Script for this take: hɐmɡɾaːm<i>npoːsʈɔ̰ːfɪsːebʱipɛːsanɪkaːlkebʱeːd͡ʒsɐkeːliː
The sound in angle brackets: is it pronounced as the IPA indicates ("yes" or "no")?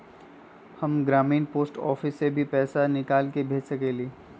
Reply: no